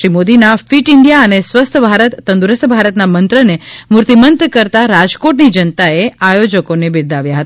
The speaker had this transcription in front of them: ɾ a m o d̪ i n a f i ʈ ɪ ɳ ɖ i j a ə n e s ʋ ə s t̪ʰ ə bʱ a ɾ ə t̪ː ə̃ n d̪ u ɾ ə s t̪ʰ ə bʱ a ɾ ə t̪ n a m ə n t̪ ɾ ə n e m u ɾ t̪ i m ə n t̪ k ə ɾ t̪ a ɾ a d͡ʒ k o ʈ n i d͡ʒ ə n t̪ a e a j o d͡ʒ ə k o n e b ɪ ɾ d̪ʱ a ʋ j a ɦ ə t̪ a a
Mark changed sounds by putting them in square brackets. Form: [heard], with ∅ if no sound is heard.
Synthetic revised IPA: ɾ [i] m o d̪ i n a f i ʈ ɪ ɳ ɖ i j a ə n e s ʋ ə s t̪ʰ ə bʱ a ɾ ə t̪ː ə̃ n d̪ u ɾ ə s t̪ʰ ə bʱ a ɾ ə t̪ n a m ə n t̪ ɾ ə n e m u ɾ t̪ i m ə n t̪ k ə ɾ t̪ a ɾ a d͡ʒ k o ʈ n i d͡ʒ ə n t̪ a e a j o d͡ʒ ə k o n e b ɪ ɾ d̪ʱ a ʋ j a ɦ ə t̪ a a

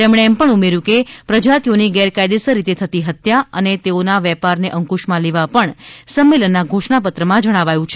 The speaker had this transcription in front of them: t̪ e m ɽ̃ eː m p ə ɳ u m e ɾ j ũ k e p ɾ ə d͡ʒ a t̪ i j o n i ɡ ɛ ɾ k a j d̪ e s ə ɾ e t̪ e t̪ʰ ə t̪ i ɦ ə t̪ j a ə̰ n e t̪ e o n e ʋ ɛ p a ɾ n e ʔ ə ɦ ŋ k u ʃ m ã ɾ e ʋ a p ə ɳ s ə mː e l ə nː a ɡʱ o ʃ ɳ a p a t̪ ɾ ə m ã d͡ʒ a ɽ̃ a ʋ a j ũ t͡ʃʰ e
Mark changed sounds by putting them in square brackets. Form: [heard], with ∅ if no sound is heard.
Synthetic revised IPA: t̪ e m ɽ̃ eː m p ə ɳ u m e ɾ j ũ k e p ɾ ə d͡ʒ a t̪ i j o n i ɡ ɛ ɾ k a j d̪ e s ə ɾ [i] t̪ e t̪ʰ ə t̪ i ɦ ə t̪ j a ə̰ n e t̪ e o n [a] ʋ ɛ p a ɾ n e ʔ ə [∅] ŋ k u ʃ m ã [l] e ʋ a p ə ɳ s ə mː e l ə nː a ɡʱ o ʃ ɳ a p [ə] t̪ ɾ ə m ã d͡ʒ [ə] ɽ̃ a ʋ a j ũ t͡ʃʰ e

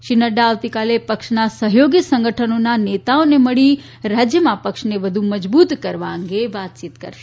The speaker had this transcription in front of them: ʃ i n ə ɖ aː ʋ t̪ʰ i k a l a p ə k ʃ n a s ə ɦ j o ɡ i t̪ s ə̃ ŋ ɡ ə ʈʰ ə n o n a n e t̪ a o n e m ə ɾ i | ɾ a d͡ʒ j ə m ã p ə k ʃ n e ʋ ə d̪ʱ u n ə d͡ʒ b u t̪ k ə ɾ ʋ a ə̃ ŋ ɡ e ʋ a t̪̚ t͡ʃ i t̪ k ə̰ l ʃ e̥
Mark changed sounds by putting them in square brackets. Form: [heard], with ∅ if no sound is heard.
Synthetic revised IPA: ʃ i n ə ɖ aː ʋ [t̪] i k a l [e] p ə k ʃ n a s ə ɦ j o ɡ i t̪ s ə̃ ŋ ɡ ə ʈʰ ə n o n a n e t̪ a o n e m ə [ɭ] i | ɾ a d͡ʒ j ə m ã p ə k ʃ n e ʋ ə d̪ʱ u [m] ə d͡ʒ b u t̪ k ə ɾ ʋ a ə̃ ŋ ɡ e ʋ a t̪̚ t͡ʃ i t̪ k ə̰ [ɾ] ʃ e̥

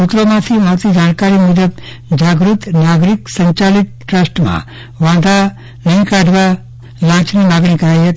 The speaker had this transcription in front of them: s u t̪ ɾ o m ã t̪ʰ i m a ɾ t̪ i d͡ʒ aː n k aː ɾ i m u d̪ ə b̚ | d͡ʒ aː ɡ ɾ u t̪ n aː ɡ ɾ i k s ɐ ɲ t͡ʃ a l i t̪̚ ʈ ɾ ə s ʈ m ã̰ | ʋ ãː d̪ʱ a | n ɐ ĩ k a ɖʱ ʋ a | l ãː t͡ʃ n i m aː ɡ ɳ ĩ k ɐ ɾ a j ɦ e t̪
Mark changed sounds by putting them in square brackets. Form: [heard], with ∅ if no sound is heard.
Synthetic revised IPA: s u t̪ ɾ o m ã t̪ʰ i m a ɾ t̪ i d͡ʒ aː n k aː ɾ i m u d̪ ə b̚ | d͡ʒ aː ɡ ɾ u t̪ n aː ɡ ɾ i k s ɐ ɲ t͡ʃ a l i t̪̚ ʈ ɾ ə s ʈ m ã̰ | ʋ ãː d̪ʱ a | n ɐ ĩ k a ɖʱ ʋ a | l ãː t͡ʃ n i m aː ɡ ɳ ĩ k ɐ ɾ a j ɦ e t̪

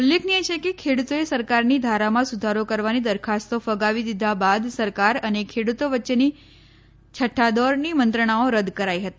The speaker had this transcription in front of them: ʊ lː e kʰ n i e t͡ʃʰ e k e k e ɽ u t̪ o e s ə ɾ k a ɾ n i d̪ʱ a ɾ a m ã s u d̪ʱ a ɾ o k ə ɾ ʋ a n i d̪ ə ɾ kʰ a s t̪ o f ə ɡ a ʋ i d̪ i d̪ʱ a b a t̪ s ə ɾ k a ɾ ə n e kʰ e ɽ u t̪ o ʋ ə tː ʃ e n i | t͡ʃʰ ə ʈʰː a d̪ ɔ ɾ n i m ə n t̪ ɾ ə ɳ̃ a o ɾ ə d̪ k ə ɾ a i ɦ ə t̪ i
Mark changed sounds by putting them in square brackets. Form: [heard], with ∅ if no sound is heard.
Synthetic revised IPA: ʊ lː e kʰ n i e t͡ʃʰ e k e [kʰ] e ɽ u t̪ o e s ə ɾ k a ɾ n i d̪ʱ a ɾ a m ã s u d̪ʱ a ɾ o k ə ɾ ʋ a n i d̪ ə ɾ kʰ a s t̪ o f ə ɡ a ʋ i d̪ i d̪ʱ a b a [d̪] s ə ɾ k a ɾ ə n e kʰ e ɽ u t̪ o ʋ ə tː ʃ e n i | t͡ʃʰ ə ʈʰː a d̪ ɔ ɾ n i m ə n t̪ ɾ ə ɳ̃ a o ɾ ə d̪ k ə ɾ a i ɦ ə t̪ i

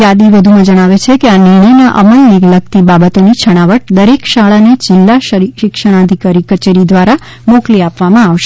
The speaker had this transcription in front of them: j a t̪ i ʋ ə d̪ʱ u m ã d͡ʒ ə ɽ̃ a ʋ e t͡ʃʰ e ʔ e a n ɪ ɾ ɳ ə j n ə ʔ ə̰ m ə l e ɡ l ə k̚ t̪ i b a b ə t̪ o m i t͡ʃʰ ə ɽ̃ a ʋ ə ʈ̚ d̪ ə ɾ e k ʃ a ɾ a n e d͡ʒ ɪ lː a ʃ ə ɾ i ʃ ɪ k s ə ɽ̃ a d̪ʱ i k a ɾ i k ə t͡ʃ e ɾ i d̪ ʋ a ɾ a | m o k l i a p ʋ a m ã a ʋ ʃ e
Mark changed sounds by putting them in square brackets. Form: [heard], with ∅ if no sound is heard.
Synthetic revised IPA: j a [d̪] i ʋ ə d̪ʱ u m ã d͡ʒ ə ɽ̃ a ʋ e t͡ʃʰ e [k] e a n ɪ ɾ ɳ ə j n [a] ʔ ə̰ m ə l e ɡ l ə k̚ t̪ i b a b ə t̪ o [n] i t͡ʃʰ ə ɽ̃ a ʋ ə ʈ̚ d̪ ə ɾ e k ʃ a [ɭ] a n e d͡ʒ ɪ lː a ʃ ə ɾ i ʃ ɪ k [ʃ] ə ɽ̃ a d̪ʱ i k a ɾ i k ə t͡ʃ e ɾ i d̪ ʋ a ɾ a | m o k l i a p ʋ a m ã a ʋ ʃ e

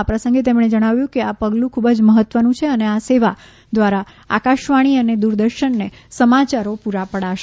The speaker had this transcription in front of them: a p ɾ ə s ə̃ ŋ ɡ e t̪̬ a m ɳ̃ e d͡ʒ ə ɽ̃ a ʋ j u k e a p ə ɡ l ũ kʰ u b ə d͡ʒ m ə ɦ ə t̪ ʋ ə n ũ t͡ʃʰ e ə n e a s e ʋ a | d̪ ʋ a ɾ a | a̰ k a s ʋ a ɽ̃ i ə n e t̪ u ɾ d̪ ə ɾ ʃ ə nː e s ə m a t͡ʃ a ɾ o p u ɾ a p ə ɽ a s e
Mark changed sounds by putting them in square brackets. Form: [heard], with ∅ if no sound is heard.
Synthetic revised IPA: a p ɾ ə s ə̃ ŋ ɡ e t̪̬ [e] m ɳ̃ e d͡ʒ ə ɽ̃ a ʋ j [ũ] k e a p ə ɡ l ũ kʰ u b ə d͡ʒ m ə ɦ ə t̪ ʋ ə n ũ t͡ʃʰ e ə n e a s e ʋ a | d̪ ʋ a ɾ a | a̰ k a [ʃ] ʋ a ɽ̃ i ə n e [d̪] u ɾ d̪ ə ɾ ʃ ə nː e s ə m a t͡ʃ a ɾ o p u ɾ a p ə ɽ a [ʃ] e

